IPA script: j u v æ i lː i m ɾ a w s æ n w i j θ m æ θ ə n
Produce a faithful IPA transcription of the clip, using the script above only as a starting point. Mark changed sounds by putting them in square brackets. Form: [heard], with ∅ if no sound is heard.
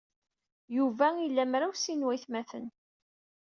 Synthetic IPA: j u v æ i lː [æ] m ɾ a w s [i] n w [æ] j θ m æ θ ə n